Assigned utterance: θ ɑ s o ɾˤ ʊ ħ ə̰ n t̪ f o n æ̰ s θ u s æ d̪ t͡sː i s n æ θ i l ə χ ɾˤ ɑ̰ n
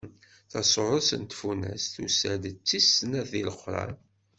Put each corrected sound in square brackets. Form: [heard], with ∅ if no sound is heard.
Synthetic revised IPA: θ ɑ s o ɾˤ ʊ [s] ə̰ n t̪ f [u] n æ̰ s θ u s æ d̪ t͡sː i s n æ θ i l ə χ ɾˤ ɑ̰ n